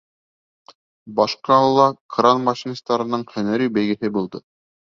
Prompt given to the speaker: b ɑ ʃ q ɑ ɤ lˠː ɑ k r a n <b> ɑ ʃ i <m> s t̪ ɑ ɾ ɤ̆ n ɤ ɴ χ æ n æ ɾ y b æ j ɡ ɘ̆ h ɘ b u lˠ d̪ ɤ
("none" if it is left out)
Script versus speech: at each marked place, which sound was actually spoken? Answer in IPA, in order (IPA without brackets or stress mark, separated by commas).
m, n